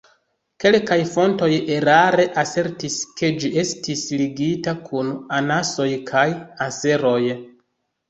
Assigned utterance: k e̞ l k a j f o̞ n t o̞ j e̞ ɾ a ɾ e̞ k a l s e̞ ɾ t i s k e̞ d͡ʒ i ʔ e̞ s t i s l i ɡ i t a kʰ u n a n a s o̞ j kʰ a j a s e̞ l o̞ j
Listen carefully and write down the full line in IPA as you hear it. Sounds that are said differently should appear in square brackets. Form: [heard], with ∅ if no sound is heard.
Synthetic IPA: k e̞ l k a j f o̞ n t o̞ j e̞ ɾ a ɾ e̞ [ʔ] a [∅] s e̞ ɾ t i s k e̞ d͡ʒ i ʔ e̞ s t i s l i ɡ i t a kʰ u n a n a s o̞ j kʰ a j a s e̞ [ɾ] o̞ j